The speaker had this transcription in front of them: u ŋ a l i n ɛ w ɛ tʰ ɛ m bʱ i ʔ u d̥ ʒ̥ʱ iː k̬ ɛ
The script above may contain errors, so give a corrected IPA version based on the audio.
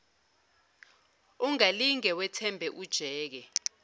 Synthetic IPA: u ŋ a l i ŋ ɛ w ɛ tʰ ɛ m bʱ ɛ ʔ u d̥ ʒ̥ʱ ɛː k̬ ɛ